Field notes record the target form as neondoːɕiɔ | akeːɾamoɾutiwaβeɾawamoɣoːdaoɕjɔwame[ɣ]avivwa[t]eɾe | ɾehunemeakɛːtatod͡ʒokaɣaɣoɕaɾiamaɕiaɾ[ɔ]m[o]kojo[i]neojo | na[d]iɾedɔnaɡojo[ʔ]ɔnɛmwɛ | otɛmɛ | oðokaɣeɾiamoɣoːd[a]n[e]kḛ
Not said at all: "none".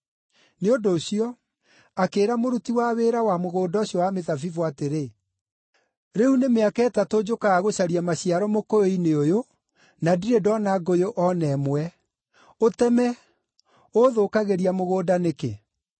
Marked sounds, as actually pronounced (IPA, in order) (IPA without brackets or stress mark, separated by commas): ð, t, ɔ, o, i, d, ʔ, a, e